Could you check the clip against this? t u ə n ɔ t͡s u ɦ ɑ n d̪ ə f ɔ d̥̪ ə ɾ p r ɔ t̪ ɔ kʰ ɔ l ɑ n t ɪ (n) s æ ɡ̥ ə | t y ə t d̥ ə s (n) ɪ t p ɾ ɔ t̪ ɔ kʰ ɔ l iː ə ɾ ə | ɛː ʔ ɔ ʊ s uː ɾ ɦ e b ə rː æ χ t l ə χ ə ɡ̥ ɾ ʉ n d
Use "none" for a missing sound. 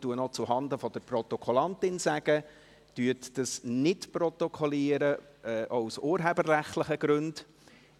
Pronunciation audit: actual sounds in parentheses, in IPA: n, n

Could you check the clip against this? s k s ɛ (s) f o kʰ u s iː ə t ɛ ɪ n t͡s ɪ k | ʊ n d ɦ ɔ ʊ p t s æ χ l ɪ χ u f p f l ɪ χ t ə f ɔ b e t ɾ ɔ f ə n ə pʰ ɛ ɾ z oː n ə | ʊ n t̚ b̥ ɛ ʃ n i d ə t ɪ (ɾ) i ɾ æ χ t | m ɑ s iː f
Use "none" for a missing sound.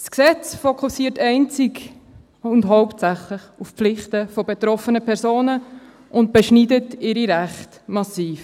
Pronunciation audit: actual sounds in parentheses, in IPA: t͡s, ɾ

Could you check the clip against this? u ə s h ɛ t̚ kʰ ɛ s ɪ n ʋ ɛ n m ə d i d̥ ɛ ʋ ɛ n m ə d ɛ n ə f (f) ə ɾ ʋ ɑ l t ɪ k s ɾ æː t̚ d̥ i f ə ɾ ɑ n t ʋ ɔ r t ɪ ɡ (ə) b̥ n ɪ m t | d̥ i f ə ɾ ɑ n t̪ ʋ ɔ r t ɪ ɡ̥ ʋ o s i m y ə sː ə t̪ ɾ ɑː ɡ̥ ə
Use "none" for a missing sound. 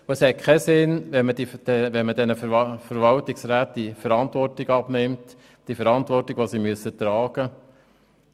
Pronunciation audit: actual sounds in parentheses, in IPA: f, ɑ

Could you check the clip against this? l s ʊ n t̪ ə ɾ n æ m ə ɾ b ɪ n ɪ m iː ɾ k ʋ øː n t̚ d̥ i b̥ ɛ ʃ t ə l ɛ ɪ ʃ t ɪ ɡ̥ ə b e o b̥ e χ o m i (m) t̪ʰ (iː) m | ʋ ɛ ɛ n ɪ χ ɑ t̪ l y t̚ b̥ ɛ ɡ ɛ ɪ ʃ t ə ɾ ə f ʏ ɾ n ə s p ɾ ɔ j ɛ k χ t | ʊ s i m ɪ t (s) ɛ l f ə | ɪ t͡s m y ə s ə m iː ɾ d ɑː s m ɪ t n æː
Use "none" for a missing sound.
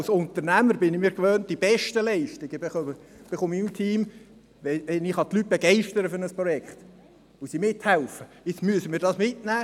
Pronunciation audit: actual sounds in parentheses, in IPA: m, iː, h

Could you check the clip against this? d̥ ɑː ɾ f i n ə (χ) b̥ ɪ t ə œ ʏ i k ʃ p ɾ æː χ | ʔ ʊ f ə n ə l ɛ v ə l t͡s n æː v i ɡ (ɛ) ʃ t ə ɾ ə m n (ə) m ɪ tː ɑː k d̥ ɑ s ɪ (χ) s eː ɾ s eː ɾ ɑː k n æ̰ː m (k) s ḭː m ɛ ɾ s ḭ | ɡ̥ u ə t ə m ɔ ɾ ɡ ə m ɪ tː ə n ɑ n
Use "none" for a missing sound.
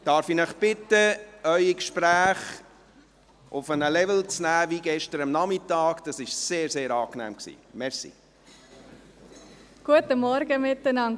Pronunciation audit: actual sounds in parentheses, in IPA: χ, ɛ, ɑ, ʃ, k

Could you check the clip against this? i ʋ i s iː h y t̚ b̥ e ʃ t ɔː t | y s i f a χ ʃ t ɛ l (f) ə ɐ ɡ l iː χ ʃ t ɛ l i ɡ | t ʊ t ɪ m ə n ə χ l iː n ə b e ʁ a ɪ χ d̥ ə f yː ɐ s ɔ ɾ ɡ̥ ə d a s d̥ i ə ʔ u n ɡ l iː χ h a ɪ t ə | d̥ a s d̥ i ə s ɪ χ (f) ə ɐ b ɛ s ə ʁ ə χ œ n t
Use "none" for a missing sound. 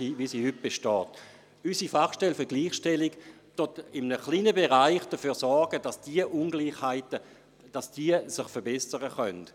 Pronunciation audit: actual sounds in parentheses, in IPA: f, f

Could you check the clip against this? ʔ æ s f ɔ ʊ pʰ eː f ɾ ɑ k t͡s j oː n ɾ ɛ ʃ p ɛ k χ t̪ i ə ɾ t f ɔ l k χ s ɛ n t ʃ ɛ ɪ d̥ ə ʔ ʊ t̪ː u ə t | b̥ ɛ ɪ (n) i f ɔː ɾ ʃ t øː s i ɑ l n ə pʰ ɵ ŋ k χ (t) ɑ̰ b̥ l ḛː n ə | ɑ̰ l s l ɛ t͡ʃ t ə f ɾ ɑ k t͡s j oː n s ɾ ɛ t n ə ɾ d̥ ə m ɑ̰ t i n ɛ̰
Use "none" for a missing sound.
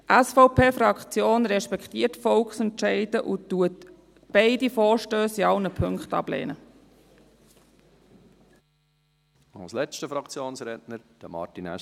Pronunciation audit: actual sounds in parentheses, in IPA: d, t

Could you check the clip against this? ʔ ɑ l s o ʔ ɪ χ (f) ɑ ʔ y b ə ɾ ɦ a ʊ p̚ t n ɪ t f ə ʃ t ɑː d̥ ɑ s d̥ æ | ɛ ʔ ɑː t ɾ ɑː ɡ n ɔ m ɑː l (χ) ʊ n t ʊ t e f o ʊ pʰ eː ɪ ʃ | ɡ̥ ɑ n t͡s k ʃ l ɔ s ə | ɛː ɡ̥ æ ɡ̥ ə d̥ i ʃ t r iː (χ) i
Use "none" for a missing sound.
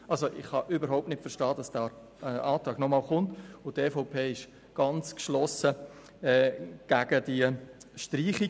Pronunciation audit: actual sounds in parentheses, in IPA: h, χ, χ

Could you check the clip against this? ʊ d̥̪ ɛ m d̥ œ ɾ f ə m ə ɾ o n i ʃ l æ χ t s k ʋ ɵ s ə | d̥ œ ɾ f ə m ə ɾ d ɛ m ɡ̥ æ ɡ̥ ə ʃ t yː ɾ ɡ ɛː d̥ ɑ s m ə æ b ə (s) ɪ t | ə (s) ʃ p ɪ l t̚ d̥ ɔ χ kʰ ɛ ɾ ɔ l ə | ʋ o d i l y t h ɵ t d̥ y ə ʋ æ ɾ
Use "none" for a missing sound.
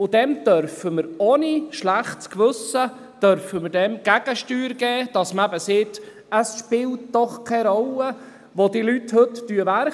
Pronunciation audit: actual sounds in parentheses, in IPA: s, s

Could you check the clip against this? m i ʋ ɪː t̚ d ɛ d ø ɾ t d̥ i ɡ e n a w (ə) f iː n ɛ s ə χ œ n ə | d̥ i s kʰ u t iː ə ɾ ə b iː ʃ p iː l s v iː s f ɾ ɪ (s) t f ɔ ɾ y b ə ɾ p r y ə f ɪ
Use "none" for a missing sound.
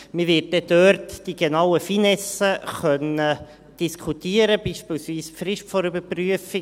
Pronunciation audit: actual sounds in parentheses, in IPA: ə, ʃ

